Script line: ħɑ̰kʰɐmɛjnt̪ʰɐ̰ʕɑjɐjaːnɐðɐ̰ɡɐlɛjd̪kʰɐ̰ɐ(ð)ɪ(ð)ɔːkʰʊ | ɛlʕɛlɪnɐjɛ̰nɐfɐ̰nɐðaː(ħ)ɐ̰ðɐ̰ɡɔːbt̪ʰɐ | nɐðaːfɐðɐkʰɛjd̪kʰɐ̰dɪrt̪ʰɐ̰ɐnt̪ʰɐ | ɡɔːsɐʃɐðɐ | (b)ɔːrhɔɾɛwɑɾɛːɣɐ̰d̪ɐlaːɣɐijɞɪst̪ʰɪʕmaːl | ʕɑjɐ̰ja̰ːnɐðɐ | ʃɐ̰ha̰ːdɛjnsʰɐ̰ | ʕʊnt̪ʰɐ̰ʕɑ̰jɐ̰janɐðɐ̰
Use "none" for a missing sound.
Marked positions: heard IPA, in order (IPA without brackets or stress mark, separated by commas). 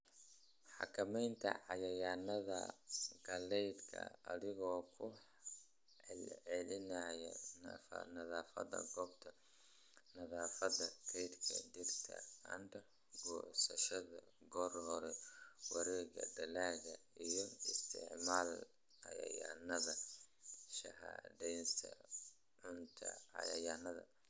ð, ɣ, f, ɡ